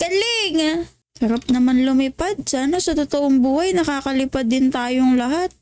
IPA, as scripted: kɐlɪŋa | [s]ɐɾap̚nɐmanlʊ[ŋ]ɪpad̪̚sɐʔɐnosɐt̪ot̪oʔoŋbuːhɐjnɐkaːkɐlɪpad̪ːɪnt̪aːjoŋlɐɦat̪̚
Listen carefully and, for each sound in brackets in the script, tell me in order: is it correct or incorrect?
correct, incorrect: m

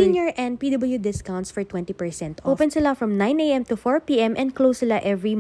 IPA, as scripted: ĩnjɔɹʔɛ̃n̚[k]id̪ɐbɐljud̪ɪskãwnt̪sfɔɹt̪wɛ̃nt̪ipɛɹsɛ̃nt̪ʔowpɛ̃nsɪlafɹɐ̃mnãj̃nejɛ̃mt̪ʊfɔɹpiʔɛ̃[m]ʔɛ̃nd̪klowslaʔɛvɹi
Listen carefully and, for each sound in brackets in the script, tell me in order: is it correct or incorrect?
incorrect: p, correct

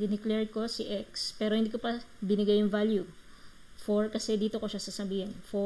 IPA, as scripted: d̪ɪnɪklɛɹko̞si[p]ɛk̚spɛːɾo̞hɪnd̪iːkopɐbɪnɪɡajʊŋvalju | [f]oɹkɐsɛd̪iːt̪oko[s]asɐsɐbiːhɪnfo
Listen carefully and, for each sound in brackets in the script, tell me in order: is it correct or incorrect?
incorrect: ʔ, correct, incorrect: ʃ

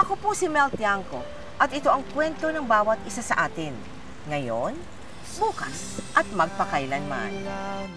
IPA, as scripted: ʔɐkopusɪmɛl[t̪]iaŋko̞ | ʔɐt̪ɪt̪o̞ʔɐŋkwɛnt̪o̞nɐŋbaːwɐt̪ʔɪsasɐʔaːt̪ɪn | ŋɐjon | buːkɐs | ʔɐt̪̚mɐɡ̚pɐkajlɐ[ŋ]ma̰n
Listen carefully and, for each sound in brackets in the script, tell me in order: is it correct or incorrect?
correct, incorrect: n

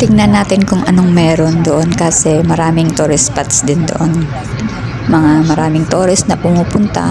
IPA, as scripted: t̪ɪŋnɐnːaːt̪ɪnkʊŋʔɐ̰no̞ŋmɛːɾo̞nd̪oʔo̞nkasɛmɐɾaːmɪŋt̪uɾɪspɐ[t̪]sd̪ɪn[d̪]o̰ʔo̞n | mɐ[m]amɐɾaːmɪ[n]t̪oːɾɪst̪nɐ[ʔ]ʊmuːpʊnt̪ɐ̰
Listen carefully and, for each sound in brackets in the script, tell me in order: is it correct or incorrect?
correct, correct, incorrect: ŋ, incorrect: ŋ, incorrect: p

